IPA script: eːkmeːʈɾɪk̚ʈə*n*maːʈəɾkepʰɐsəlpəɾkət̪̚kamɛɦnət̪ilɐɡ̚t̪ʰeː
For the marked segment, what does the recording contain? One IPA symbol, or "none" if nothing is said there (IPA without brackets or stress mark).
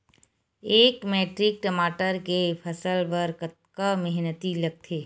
none